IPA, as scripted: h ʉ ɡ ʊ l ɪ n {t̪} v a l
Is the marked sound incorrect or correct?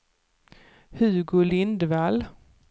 incorrect